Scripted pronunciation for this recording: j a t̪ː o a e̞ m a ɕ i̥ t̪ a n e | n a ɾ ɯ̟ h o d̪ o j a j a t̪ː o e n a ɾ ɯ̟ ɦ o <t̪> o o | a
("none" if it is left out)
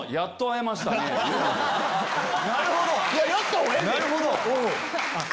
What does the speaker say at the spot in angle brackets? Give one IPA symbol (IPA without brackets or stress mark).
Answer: d̪